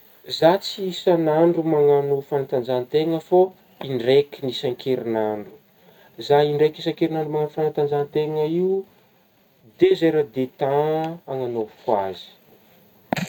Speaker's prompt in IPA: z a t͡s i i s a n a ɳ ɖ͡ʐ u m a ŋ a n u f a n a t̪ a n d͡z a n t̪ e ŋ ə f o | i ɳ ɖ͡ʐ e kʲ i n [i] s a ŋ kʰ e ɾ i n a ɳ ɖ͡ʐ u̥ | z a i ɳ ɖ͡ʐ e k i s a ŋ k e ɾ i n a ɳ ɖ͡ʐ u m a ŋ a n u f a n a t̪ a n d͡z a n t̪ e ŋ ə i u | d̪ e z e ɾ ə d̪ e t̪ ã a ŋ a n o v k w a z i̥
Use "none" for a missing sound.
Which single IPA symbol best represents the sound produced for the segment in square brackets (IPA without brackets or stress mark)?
i